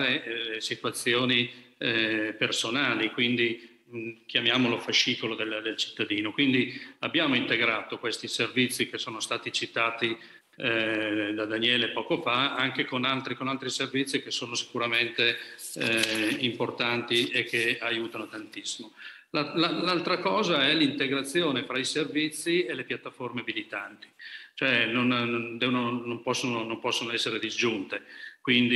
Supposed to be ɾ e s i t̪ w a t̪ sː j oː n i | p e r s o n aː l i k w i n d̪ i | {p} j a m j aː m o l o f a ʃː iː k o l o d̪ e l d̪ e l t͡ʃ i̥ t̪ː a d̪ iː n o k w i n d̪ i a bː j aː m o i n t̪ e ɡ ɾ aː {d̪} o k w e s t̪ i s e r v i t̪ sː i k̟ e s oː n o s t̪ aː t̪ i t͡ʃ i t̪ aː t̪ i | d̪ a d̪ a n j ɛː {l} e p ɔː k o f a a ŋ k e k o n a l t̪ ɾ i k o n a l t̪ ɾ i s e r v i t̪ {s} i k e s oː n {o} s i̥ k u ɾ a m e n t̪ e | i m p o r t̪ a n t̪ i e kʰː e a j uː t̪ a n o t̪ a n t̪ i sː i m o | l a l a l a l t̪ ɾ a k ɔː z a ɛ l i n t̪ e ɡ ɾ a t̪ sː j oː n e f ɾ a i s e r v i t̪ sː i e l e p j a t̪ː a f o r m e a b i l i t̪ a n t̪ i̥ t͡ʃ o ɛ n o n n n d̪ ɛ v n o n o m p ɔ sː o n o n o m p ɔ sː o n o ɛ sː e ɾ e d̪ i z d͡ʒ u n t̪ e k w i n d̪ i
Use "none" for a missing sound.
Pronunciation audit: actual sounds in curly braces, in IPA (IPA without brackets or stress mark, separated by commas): k, t̪, l, sː, o